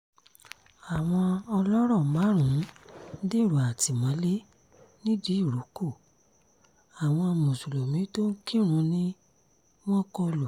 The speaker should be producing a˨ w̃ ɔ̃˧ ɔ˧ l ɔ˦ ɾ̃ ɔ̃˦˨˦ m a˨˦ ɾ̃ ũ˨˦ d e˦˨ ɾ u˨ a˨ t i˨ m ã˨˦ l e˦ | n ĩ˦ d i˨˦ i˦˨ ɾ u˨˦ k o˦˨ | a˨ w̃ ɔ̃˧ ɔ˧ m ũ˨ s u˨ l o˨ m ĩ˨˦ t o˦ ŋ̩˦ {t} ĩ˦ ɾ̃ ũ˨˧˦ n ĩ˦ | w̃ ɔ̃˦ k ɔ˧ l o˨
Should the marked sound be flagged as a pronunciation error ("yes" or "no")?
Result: yes